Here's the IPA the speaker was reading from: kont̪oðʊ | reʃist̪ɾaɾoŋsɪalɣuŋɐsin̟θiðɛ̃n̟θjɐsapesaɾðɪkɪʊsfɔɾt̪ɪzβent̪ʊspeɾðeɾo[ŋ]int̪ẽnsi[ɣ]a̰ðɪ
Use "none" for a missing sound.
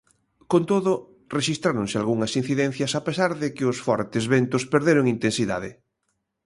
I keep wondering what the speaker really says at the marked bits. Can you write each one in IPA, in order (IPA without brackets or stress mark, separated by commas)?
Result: ŋ, ð